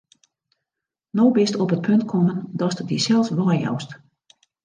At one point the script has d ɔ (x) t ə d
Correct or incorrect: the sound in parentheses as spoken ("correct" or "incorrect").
incorrect